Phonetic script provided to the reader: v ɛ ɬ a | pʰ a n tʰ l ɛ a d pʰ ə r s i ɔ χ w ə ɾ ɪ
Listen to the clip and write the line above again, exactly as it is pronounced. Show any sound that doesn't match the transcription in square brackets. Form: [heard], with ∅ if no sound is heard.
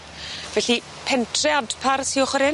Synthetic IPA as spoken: v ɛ ɬ [i] | pʰ [ɛ] n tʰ [r] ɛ a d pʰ [a] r s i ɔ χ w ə ɾ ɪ